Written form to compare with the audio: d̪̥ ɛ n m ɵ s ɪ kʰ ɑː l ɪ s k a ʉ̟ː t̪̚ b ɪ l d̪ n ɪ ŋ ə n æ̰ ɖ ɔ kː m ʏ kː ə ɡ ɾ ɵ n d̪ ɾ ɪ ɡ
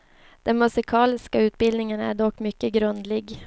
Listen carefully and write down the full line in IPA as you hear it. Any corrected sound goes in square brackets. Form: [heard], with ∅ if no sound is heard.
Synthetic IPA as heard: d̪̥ ɛ n m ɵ s ɪ kʰ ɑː l ɪ s k a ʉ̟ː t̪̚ b ɪ l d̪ n ɪ ŋ ə n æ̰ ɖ ɔ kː m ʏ kː ə ɡ ɾ ɵ n d̪ [l] ɪ ɡ